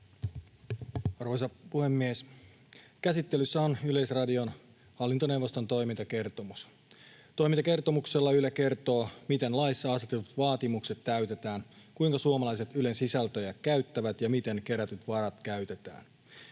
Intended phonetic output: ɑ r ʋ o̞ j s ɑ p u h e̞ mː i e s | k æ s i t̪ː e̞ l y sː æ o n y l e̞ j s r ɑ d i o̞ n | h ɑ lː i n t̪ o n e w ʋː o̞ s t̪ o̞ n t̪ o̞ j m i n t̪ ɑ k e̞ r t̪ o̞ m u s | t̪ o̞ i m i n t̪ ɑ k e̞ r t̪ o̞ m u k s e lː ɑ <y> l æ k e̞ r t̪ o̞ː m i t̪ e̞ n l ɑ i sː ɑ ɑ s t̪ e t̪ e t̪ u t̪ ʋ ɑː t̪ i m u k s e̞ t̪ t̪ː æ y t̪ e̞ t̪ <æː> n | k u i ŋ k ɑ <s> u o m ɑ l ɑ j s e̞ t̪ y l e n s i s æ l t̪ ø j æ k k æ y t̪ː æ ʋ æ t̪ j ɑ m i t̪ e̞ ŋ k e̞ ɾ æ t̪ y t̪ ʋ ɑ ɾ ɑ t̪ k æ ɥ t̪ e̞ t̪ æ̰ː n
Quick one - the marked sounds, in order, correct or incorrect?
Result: correct, correct, correct

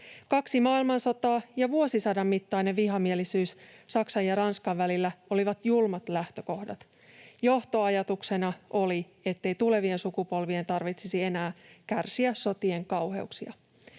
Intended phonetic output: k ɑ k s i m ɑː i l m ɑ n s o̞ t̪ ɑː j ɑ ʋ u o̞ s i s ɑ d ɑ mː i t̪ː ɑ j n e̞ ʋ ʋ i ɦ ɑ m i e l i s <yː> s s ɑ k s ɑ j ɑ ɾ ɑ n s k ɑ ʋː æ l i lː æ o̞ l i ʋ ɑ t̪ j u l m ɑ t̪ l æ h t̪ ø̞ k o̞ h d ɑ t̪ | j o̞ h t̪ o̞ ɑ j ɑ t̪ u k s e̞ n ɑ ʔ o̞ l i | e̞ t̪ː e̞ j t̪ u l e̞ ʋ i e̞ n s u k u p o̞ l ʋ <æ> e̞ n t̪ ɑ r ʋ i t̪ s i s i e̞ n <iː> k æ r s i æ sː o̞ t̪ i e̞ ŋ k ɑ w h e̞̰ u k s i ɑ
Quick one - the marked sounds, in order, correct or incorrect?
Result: correct, incorrect: i, incorrect: æː

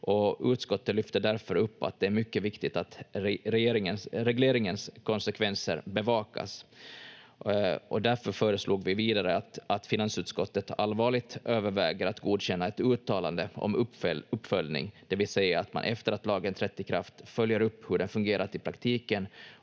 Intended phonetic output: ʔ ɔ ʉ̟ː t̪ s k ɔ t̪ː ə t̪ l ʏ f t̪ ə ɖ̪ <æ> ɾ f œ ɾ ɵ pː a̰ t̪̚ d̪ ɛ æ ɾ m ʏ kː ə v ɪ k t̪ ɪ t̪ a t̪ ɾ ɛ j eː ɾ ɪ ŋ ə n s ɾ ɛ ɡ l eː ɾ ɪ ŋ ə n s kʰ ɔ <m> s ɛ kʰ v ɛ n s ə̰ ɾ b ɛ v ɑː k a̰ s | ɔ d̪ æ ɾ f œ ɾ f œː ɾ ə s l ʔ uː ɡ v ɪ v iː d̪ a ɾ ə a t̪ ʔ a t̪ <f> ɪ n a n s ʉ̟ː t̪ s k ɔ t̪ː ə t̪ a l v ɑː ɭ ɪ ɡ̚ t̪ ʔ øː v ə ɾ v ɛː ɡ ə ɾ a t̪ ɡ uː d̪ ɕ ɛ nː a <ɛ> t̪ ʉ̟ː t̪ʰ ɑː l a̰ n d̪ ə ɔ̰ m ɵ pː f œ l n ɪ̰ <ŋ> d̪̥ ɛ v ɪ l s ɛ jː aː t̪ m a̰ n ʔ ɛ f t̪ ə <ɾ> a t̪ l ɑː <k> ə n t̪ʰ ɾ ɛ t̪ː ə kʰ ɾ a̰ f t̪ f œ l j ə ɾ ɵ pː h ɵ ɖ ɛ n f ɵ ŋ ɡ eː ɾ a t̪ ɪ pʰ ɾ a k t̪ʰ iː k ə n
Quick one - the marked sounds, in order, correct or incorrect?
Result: correct, incorrect: n, correct, correct, correct, correct, incorrect: ɡ

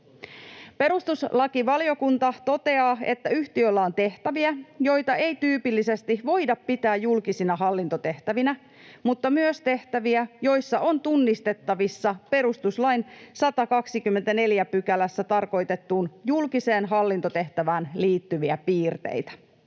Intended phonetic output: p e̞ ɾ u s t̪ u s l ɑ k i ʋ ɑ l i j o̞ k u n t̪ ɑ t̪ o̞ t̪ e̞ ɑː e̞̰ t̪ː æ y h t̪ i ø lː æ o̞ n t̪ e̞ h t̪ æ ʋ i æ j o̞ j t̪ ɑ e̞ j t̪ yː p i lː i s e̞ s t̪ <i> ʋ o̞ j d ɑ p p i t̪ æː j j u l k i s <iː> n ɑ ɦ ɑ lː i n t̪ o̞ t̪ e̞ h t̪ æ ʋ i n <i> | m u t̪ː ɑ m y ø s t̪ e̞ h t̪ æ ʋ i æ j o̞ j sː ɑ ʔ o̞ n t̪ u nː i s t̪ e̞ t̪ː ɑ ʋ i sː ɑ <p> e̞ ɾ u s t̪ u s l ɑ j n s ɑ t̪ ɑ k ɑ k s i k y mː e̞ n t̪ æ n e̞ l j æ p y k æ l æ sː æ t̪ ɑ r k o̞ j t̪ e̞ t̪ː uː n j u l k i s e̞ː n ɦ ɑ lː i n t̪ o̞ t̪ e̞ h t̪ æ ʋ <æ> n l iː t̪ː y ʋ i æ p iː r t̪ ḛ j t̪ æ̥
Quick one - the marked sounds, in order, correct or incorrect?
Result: correct, incorrect: i, incorrect: æ, correct, incorrect: æː

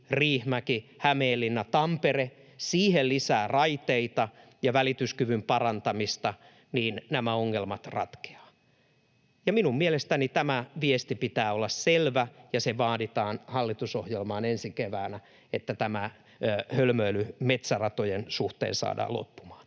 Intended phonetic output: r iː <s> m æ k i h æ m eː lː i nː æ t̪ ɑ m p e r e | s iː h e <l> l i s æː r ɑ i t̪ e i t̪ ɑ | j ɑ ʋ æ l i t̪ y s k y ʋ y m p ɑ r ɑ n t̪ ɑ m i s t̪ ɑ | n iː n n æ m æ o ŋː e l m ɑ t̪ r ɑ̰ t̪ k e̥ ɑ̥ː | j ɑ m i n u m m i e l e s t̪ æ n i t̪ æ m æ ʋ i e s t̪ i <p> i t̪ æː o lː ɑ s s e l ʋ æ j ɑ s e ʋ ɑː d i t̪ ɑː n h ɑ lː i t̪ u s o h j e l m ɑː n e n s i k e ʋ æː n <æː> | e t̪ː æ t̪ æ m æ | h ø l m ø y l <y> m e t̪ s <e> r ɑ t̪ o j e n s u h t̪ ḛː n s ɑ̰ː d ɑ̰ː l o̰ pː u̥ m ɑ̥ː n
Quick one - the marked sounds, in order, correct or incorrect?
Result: incorrect: h, correct, correct, incorrect: æ, correct, incorrect: æ

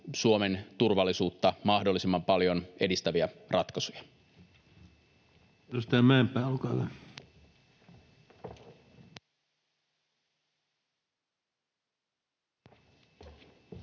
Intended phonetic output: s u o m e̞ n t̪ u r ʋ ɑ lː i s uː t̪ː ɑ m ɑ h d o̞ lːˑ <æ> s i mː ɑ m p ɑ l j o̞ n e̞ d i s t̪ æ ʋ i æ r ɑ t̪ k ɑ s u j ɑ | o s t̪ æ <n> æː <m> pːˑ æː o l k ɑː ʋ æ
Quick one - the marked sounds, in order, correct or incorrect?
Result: incorrect: i, incorrect: m, correct

